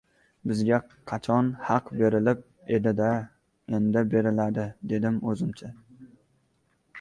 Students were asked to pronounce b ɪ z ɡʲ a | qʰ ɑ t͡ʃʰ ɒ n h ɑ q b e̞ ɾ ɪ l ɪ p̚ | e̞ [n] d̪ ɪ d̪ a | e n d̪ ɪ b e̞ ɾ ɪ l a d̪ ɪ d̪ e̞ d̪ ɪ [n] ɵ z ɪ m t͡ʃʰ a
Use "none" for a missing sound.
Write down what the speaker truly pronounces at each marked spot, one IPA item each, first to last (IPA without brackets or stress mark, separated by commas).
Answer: none, m